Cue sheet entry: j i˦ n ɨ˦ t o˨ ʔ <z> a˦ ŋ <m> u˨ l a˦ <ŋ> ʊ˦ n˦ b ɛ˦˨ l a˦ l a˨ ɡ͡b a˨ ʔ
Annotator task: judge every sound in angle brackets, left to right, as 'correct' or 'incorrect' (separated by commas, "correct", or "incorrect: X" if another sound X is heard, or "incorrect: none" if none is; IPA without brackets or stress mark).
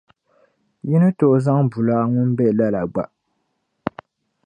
correct, incorrect: b, correct